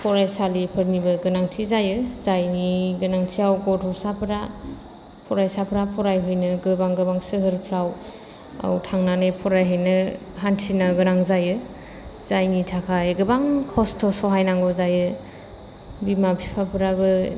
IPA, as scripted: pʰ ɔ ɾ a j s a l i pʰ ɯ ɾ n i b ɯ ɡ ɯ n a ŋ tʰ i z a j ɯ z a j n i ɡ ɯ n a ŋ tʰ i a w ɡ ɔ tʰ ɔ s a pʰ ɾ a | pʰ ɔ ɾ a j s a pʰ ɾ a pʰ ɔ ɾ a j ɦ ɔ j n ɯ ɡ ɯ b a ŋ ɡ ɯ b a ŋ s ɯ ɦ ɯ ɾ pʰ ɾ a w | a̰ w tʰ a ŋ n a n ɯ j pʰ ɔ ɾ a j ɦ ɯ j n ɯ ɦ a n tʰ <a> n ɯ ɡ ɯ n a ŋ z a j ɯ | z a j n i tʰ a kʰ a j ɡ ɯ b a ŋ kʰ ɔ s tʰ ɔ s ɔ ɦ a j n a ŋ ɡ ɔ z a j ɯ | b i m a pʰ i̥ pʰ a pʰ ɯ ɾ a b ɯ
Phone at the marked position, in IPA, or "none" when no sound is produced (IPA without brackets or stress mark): i